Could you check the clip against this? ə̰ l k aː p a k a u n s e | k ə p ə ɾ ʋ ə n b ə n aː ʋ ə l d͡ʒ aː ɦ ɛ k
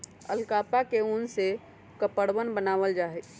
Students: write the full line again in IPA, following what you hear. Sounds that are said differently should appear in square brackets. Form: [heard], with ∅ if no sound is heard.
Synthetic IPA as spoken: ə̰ l k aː p a k [e] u n s e | k ə p ə [ɽ] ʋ ə n b ə n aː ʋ ə l d͡ʒ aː ɦ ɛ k